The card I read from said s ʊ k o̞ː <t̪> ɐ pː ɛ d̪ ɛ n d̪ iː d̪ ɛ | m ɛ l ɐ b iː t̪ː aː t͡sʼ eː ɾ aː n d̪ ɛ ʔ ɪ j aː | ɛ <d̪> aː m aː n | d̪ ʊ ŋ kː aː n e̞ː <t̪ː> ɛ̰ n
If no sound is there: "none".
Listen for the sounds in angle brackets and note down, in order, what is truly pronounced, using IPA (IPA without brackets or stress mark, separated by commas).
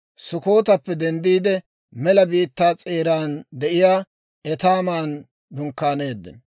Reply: t̪, t̪, d̪ː